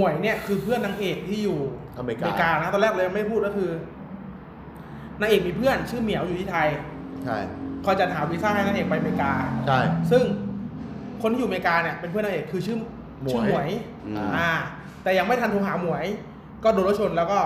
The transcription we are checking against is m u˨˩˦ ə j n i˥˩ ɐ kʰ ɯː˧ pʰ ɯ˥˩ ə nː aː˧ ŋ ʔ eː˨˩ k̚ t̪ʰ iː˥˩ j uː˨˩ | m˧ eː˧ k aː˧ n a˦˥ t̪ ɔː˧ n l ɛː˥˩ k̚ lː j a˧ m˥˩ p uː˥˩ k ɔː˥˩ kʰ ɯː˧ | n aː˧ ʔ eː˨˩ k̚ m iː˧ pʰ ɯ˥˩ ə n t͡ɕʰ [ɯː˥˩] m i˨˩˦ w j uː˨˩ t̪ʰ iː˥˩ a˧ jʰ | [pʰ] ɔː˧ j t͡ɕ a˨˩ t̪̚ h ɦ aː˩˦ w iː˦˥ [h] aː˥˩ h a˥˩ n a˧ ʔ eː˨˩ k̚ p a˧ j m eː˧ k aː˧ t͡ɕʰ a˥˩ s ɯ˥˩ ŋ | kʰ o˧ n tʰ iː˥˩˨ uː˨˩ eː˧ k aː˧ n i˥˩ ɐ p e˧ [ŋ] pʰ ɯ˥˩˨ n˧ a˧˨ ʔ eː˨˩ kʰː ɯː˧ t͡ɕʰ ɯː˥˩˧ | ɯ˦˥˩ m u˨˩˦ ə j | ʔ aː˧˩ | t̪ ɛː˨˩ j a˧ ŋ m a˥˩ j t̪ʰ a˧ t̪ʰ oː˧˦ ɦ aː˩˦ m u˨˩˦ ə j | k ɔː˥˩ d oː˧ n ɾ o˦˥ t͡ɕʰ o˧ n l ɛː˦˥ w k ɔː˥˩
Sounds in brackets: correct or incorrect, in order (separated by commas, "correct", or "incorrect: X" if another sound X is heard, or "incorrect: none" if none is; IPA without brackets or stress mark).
correct, incorrect: kʰ, incorrect: s, incorrect: n